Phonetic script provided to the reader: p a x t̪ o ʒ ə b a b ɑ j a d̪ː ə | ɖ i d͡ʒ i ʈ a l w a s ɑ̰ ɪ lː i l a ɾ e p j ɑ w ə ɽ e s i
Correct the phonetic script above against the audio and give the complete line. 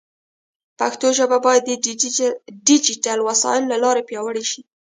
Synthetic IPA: p a x t̪ o ʒ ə b a b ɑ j a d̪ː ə | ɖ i d͡ʒ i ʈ a l w a s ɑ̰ ɪ lː a l ɑ ɾ e p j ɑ w ə ɽ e ʃ i